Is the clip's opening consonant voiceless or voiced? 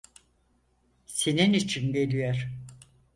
voiceless